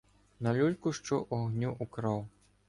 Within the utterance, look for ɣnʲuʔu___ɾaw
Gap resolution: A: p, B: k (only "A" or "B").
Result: B